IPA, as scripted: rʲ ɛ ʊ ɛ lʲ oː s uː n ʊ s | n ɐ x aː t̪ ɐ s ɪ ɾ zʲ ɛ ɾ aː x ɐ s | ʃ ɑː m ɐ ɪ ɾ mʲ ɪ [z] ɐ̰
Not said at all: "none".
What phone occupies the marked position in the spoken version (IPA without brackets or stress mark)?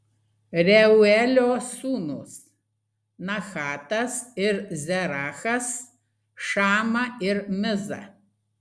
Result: z